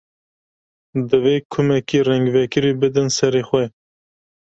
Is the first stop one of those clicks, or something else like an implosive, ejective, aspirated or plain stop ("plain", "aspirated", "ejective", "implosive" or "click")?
plain